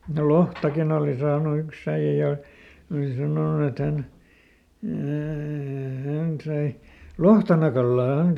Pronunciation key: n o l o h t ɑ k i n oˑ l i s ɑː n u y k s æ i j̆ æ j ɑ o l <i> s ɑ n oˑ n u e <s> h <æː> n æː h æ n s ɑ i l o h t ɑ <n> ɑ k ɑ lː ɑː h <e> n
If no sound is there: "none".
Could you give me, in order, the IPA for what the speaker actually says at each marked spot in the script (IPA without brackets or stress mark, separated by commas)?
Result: i, t, æ, n, æ